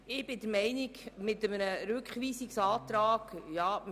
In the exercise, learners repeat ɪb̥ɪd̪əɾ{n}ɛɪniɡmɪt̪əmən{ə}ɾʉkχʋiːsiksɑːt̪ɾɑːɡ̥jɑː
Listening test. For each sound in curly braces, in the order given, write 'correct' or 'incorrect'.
incorrect: m, correct

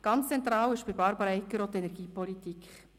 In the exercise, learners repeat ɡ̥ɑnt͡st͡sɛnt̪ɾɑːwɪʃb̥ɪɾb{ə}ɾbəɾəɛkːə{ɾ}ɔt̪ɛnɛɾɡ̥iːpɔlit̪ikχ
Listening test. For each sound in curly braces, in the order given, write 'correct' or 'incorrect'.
incorrect: ɑ, correct

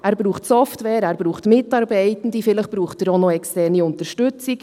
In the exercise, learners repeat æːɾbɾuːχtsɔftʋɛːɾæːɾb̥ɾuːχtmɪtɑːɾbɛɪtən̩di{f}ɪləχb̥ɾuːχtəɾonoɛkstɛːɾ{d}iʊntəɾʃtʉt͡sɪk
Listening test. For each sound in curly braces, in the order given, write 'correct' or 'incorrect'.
correct, incorrect: n

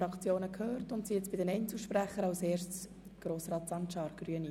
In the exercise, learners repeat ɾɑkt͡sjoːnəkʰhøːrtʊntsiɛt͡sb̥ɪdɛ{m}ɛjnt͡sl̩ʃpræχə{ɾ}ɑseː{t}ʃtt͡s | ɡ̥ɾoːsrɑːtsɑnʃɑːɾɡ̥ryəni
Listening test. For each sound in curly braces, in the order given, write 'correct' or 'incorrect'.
incorrect: n, correct, incorrect: none

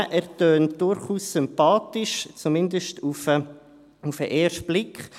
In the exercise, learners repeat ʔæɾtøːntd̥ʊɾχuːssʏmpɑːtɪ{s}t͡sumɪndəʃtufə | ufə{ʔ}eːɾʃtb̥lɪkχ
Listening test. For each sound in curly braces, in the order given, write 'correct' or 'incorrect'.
incorrect: ʃ, correct

